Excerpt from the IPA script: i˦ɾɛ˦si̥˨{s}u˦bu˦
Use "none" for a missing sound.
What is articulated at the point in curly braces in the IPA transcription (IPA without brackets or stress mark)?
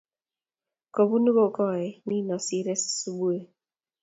s